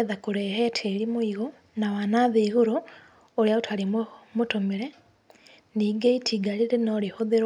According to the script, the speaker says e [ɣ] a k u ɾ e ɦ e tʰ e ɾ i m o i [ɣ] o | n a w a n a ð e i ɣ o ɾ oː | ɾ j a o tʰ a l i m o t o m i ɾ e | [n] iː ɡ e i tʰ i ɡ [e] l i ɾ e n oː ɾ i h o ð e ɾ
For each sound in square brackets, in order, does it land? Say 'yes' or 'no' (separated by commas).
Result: no, yes, yes, no